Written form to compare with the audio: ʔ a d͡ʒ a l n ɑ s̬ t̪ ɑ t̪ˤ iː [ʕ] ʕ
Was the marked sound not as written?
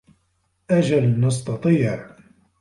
no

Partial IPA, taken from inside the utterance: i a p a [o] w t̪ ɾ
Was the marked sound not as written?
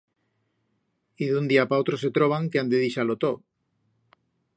no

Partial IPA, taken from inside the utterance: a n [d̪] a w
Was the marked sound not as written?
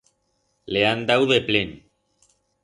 no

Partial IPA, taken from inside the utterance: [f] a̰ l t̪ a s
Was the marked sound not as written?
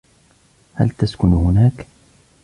yes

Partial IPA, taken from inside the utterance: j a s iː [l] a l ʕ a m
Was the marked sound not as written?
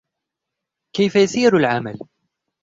yes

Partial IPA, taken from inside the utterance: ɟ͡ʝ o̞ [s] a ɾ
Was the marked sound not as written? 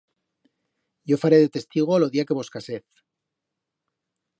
yes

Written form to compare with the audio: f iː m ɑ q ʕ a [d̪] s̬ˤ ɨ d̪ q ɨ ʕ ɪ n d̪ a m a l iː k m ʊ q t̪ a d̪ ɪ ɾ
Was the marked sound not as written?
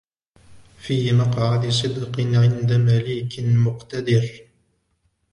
no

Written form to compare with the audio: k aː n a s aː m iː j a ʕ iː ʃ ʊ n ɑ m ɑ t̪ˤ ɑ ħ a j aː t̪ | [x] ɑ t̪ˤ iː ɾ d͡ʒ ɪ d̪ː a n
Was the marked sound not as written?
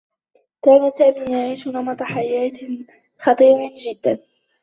no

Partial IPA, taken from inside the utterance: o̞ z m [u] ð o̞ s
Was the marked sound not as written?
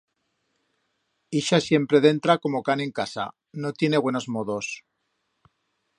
yes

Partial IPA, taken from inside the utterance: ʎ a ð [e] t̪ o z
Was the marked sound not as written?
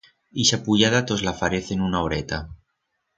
yes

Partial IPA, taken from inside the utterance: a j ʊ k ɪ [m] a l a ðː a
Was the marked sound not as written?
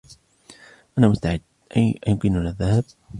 yes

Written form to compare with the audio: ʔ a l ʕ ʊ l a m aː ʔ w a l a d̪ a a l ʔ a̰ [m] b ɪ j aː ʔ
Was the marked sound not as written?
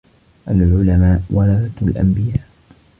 no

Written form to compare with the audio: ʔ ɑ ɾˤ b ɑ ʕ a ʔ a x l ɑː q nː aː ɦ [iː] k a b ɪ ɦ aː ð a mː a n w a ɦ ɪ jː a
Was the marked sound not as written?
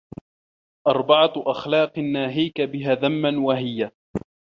no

